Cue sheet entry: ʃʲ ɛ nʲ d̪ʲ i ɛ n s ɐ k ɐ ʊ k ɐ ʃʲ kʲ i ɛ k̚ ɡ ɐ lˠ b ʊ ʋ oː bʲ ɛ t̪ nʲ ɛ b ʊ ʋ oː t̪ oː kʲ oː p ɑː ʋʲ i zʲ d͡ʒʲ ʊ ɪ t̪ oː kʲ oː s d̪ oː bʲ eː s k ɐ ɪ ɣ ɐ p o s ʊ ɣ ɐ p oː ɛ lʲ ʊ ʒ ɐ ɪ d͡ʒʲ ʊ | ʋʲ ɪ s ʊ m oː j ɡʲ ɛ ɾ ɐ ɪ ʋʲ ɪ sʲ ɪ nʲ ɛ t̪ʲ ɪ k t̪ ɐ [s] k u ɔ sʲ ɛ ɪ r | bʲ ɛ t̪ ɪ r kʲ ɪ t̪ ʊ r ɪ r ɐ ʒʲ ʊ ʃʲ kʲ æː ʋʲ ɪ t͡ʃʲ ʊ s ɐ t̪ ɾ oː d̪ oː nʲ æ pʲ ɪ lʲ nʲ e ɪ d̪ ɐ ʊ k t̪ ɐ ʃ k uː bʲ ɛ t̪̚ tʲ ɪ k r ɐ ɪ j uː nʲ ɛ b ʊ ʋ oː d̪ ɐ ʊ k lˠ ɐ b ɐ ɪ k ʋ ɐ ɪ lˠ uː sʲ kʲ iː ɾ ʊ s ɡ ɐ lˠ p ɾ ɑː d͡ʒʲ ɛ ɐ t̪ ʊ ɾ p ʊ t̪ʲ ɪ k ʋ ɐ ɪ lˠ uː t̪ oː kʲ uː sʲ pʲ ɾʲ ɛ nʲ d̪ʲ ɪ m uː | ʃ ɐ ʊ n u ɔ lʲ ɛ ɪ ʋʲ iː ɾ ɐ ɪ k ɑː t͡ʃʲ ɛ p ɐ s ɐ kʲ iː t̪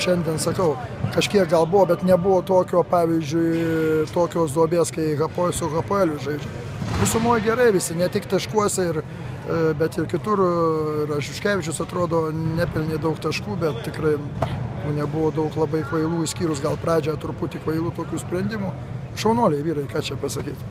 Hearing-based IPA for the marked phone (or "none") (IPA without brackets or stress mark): ʃ